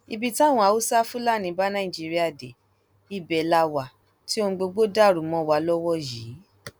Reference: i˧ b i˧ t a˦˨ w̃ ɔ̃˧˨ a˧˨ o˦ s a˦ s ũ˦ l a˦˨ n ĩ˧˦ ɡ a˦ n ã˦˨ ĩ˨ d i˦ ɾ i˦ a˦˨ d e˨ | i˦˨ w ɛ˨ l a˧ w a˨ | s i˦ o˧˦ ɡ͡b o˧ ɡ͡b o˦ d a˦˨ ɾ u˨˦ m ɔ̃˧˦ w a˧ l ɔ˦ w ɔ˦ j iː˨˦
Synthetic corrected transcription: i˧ b i˧ t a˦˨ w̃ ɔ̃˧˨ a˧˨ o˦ s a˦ f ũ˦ l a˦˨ n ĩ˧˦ b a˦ n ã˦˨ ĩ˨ d͡ʒ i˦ ɾ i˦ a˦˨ d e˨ | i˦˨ b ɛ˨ l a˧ w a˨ | t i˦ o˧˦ ɡ͡b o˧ ɡ͡b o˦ d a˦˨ ɾ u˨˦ m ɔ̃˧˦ w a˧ l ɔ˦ w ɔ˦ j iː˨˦